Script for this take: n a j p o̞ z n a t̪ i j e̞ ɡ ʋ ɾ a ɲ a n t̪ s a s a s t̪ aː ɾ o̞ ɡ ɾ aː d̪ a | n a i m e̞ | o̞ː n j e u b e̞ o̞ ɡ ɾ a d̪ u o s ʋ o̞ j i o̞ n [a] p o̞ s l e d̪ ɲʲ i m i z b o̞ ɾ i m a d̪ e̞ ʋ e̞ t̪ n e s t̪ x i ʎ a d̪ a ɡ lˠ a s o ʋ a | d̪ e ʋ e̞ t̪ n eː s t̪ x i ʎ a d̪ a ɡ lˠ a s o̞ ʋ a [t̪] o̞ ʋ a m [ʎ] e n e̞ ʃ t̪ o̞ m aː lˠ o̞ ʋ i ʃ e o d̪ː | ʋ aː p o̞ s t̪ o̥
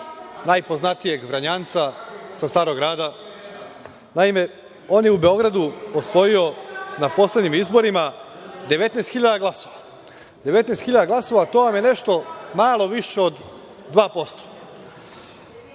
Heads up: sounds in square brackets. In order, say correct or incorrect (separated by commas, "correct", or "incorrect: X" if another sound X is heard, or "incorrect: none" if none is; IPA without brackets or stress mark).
correct, correct, incorrect: j